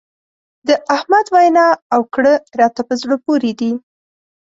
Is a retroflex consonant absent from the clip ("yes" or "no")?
no